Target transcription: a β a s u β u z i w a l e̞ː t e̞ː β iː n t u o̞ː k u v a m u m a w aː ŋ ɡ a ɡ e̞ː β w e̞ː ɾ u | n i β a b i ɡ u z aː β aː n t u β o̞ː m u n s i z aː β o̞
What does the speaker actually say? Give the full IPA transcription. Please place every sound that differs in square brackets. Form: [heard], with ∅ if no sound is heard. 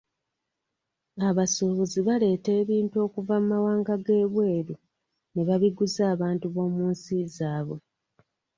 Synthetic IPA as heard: a β a s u β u z i [β] a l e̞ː t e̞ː β iː n t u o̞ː k u v a m u m a w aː ŋ ɡ a ɡ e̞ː β w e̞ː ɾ u | n [e] β a [β] i ɡ u z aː β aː n t u β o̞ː m [uː] n s i z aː β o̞

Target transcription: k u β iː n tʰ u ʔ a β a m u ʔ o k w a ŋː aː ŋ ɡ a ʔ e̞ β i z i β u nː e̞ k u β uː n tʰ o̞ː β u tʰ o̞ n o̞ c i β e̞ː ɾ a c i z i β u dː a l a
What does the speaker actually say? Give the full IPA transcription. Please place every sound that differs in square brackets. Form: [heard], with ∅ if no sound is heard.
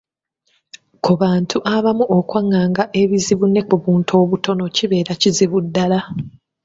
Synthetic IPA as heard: k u β [aː] n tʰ u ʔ a β a m u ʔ o k w a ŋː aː ŋ ɡ a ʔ e̞ β i z i β u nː e̞ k u β uː n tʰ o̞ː β u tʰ o̞ n o̞ c i β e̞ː ɾ a c i z i β u dː a l a

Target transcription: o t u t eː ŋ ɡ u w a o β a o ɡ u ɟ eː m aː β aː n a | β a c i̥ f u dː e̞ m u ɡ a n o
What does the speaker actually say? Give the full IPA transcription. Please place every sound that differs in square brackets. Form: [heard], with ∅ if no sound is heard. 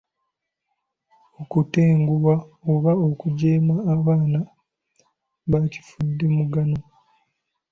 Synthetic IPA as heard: o [k] u t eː ŋ ɡ u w a o β a o [k] u ɟ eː m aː β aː n a | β a c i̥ f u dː e̞ m u ɡ a n o

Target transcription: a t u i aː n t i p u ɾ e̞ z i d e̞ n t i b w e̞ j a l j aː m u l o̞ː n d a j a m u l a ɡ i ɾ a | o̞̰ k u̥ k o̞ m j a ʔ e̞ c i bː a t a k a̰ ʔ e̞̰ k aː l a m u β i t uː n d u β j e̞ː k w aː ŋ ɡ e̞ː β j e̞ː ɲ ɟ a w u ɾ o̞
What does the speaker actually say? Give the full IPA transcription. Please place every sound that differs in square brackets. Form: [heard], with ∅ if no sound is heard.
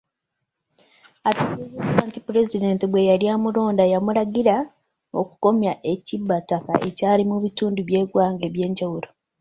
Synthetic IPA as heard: a t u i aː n t i p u ɾ e̞ z i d e̞ n t i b w e̞ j a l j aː m u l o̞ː n d a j a m u l a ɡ i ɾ a | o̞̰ k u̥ k o̞ m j a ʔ e̞ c i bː a t a k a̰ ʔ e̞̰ [c] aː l [i] m u β i t uː n d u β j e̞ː [ɡ] w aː ŋ ɡ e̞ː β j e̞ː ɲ ɟ a w u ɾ o̞

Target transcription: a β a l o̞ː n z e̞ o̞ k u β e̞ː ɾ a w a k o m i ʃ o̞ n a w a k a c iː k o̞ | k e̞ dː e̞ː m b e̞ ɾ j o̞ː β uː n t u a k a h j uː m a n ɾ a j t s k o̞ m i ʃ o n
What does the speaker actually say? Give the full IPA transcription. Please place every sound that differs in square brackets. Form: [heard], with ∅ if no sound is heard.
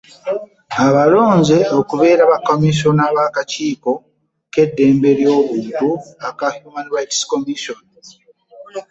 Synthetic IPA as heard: a β a l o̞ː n z e̞ o̞ k u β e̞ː ɾ a [β] a k o m i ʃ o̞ n a [β] a k a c iː k o̞ | k e̞ dː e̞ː m b e̞ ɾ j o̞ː β uː n t u a k a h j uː m a n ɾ a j t s k o̞ m i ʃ o n

